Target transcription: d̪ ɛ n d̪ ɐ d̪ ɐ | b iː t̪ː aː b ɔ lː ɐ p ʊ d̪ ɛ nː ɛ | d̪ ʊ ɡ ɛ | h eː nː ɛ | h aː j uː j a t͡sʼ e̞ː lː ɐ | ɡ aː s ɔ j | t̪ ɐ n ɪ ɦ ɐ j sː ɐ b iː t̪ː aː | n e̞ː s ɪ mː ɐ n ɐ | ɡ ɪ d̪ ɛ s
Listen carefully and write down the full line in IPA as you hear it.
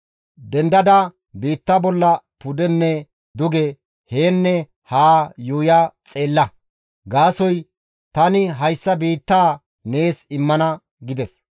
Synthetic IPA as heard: d̪ ɛ n d̪ ɐ d̪ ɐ | b iː t̪ː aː b ɔ lː ɐ p ʊ d̪ ɛ nː ɛ | d̪ ʊ ɡ ɛ | h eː nː ɛ | h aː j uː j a t͡sʼ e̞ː lː ɐ | ɡ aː s ɔ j | t̪ ɐ n ɪ ɦ ɐ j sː ɐ b iː t̪ː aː | n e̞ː s ɪ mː ɐ n ɐ | ɡ ɪ d̪ ɛ s